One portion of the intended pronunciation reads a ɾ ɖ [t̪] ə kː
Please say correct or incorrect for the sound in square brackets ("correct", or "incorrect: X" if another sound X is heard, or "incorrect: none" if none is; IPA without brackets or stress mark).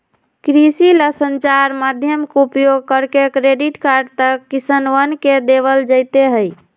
correct